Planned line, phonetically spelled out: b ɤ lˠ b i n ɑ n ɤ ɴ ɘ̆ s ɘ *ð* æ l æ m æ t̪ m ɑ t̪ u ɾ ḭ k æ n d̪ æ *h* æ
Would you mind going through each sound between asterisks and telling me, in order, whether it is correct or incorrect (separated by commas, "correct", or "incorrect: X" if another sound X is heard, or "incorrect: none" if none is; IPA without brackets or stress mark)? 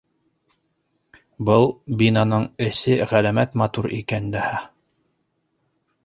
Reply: incorrect: ʁ, correct